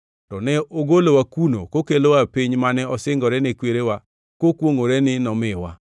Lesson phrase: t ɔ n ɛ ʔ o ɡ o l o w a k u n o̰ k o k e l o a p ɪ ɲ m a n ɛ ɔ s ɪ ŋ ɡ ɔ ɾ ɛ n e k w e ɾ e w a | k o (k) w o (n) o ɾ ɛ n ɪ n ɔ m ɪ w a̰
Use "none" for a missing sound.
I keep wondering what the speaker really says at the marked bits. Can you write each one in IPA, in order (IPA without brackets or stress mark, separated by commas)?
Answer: k, ŋ